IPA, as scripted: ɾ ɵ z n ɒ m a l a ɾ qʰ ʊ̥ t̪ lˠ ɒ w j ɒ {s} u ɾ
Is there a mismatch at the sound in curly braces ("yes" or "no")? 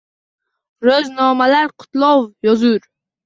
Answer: yes